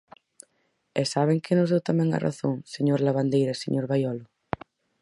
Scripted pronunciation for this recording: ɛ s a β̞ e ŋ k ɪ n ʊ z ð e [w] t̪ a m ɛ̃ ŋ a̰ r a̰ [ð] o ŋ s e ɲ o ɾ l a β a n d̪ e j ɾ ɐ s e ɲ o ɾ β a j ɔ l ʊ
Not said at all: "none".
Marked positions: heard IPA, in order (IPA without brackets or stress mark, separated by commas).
w, θ